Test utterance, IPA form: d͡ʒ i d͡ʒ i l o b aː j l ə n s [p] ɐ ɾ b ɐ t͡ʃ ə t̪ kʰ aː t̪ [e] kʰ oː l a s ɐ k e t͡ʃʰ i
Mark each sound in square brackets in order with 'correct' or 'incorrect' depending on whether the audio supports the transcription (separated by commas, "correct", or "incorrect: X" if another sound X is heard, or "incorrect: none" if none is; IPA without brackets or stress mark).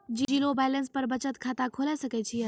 correct, incorrect: a